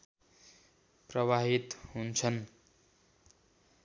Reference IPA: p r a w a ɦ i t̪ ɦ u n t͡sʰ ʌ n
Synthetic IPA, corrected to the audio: p r ʌ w a ɦ i t̪ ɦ u n t͡sʰ ʌ n